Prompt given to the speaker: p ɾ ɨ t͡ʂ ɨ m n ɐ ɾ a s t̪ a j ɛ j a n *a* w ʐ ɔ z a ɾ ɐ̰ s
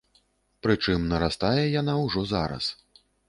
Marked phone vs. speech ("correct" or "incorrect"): correct